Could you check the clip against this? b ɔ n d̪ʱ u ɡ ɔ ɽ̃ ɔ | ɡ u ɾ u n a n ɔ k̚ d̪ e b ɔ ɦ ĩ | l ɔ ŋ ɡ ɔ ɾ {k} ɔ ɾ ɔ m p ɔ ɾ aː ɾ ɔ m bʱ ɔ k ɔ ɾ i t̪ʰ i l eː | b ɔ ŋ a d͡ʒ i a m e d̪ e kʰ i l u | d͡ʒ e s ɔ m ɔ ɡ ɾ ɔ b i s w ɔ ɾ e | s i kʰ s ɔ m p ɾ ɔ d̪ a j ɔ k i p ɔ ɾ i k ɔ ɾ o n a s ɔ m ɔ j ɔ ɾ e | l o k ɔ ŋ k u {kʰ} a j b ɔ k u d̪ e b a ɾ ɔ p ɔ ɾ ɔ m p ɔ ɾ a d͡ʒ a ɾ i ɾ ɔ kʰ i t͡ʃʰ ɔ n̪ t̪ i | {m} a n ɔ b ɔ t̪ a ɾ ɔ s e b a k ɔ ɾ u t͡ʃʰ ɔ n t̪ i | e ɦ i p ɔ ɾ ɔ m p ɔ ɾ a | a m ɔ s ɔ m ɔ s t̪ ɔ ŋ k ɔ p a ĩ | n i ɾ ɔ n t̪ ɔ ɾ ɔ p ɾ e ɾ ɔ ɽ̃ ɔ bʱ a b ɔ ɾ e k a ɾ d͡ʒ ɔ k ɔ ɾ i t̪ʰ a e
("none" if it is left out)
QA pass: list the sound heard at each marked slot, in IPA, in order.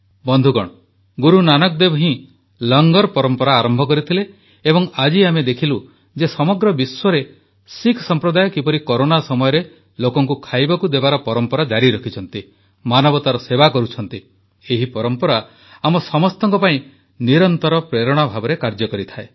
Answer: p, kʰ, m

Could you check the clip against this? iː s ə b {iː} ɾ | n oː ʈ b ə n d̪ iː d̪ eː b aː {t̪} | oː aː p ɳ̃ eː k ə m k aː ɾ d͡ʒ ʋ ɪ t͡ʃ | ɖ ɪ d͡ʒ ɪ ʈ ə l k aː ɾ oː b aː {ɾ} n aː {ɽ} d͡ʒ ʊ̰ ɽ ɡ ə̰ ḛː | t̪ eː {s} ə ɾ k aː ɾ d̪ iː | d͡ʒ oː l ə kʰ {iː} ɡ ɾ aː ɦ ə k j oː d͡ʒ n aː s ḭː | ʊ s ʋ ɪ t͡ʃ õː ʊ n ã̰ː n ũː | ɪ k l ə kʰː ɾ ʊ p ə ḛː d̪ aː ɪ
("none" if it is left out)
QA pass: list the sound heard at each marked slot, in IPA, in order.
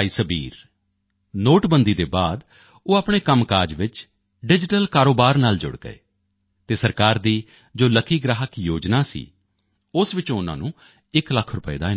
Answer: iː, d̪, ɾ, l, s, iː

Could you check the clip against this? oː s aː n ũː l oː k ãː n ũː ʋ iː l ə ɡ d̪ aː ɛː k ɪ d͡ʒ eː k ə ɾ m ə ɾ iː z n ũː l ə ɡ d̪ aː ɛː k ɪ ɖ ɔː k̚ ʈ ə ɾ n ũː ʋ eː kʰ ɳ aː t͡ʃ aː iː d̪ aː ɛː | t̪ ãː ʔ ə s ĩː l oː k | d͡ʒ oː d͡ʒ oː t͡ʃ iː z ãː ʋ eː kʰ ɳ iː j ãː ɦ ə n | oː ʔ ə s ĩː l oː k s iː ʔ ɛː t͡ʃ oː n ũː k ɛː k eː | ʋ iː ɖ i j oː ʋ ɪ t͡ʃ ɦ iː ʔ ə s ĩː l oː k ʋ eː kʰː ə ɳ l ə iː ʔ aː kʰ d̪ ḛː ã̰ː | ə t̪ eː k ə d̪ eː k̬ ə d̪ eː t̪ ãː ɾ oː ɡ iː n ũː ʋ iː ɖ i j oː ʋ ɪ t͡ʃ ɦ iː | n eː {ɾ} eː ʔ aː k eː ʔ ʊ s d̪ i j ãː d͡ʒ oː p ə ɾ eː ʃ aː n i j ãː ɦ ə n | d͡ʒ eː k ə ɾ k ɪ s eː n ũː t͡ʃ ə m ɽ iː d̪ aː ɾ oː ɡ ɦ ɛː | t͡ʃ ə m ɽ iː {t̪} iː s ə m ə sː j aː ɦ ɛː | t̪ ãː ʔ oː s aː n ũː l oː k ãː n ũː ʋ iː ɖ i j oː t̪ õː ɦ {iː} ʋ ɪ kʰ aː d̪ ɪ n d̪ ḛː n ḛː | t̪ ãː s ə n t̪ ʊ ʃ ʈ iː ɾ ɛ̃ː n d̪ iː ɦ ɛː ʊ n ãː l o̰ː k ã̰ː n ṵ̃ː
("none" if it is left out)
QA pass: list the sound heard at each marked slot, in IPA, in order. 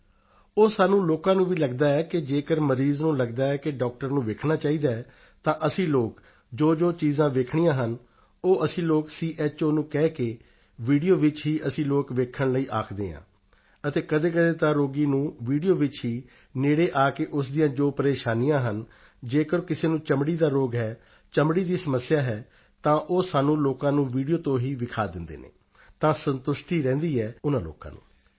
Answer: ɽ, d̪, iː

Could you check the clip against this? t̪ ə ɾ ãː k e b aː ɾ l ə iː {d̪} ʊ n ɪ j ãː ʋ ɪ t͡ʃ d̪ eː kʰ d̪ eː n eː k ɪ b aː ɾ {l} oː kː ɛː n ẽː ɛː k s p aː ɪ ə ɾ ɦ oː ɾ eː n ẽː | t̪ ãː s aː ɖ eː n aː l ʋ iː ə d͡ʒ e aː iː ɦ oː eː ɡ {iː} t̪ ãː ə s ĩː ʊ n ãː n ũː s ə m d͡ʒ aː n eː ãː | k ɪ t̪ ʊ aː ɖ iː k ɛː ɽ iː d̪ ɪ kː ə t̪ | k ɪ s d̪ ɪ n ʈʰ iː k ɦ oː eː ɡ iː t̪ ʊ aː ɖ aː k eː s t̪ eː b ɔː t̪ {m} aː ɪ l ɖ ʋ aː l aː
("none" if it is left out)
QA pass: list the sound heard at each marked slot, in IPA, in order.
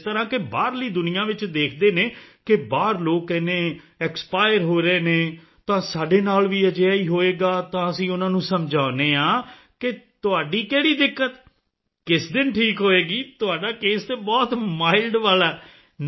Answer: d̪, l, aː, m

